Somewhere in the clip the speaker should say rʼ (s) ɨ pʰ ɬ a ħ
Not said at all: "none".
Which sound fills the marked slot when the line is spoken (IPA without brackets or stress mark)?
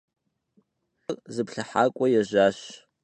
z